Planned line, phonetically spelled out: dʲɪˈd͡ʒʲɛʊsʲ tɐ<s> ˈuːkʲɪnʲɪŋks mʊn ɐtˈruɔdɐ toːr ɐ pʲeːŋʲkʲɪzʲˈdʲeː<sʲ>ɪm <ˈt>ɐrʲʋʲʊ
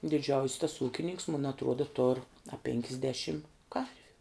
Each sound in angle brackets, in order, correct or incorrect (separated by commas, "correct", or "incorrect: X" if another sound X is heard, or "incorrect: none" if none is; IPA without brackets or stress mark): correct, incorrect: ʃʲ, incorrect: k